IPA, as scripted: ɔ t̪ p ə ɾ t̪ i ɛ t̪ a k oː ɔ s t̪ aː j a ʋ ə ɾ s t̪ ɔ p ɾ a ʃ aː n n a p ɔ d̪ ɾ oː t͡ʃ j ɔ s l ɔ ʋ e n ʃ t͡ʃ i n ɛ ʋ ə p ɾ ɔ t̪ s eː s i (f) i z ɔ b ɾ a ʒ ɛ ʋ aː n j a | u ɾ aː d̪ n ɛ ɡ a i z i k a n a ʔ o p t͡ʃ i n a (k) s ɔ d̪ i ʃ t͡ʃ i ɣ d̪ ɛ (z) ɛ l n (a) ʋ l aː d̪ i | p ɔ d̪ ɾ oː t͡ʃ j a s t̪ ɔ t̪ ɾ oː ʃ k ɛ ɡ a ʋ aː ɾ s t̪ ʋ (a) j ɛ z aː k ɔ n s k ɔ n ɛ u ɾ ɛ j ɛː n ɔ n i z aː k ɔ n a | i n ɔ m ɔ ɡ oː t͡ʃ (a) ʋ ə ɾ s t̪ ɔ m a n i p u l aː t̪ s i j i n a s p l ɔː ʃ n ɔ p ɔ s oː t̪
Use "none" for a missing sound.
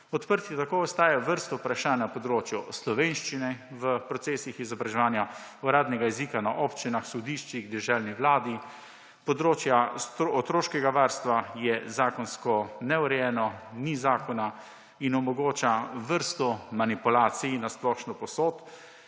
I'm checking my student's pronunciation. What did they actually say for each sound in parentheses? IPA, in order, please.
x, x, ʒ, i, a, a

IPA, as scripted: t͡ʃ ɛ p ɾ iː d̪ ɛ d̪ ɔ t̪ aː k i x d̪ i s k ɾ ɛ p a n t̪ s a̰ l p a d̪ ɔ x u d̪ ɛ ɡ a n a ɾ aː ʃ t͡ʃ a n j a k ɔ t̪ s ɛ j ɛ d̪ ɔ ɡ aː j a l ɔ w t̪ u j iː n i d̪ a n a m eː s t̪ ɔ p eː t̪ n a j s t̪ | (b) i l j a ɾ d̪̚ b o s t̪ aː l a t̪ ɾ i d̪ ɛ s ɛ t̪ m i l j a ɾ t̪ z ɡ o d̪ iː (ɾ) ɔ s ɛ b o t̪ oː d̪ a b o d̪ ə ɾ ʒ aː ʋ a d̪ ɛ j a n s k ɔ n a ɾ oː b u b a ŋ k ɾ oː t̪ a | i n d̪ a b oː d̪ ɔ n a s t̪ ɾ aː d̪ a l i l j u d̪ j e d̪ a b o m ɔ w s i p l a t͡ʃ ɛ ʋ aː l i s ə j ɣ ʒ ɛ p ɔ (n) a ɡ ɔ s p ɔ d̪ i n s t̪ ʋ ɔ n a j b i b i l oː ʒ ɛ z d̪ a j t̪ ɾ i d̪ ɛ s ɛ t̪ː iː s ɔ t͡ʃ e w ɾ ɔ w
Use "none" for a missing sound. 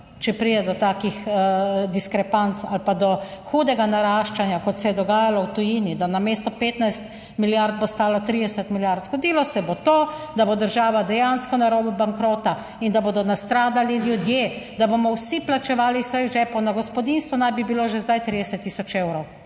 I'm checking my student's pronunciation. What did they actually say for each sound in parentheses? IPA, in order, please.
m, l, n

